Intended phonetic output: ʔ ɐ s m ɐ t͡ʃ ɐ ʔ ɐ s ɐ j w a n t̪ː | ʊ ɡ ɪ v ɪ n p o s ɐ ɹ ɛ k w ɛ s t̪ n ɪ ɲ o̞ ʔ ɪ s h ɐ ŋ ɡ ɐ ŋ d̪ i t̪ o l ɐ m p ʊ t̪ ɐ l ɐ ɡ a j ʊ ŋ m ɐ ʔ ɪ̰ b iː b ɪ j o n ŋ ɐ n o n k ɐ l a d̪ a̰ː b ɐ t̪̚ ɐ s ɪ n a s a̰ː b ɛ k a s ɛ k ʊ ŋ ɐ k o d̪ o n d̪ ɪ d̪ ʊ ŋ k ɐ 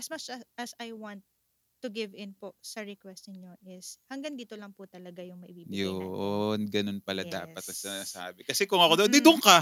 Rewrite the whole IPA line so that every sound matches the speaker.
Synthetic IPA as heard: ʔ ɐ s m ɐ t͡ʃ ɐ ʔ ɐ s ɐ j w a n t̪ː | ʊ ɡ ɪ v ɪ n p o s ɐ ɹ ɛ k w ɛ s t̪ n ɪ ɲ o̞ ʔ ɪ s h ɐ ŋ ɡ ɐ ŋ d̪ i t̪ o l ɐ ŋ p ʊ t̪ ɐ l ɐ ɡ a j ʊ ŋ m ɐ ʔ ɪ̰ b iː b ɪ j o n ɡ ɐ n o n p ɐ l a d̪ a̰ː p ɐ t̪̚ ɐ s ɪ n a s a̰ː b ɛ k ɐ s ɛ k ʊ ŋ ɐ k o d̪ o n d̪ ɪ d̪ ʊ ŋ k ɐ